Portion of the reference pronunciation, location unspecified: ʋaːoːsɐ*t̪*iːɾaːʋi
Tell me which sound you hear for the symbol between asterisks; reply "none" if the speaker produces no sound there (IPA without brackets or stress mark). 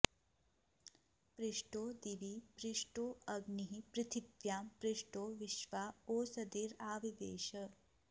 d̪